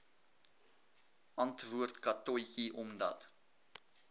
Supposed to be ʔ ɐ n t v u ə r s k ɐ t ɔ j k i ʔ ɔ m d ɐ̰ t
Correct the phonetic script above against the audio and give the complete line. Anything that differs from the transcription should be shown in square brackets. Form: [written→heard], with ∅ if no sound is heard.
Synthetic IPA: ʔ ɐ n t v u ə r [s→t] k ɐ t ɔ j k i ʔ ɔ m d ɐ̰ t